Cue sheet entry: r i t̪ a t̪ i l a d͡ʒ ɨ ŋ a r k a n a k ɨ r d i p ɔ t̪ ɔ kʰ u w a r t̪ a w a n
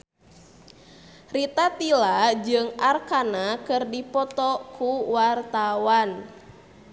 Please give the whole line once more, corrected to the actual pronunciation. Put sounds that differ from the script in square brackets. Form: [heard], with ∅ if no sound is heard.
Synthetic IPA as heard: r i t̪ a t̪ i l a d͡ʒ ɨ ŋ a r k a n a k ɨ r d i p ɔ t̪ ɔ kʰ u w a r t̪ a w a n